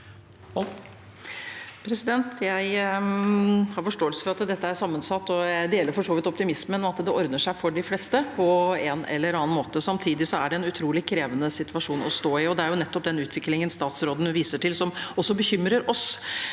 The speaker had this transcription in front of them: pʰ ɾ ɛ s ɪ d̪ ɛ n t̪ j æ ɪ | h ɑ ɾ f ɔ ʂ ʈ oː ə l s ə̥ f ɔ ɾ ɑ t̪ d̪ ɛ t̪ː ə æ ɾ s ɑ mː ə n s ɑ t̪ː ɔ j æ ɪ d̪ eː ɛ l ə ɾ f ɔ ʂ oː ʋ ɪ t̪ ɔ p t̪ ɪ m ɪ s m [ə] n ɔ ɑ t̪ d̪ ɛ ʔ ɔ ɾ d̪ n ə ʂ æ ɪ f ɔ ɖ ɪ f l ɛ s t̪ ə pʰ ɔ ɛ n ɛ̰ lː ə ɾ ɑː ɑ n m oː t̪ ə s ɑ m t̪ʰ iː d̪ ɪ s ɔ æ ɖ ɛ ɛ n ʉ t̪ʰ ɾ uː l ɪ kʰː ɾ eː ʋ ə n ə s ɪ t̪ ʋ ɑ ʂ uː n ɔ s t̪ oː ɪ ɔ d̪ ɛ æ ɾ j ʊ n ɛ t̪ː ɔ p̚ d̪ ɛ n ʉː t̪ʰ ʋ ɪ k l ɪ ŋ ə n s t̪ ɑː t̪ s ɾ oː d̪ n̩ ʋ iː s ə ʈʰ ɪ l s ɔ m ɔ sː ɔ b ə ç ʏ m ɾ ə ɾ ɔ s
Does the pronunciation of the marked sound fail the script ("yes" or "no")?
no